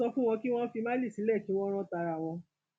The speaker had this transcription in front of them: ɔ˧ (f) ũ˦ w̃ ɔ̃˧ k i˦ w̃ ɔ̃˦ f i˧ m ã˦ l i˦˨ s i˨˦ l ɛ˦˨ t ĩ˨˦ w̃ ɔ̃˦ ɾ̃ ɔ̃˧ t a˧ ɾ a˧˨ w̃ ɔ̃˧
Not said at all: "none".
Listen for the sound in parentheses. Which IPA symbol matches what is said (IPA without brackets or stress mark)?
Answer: f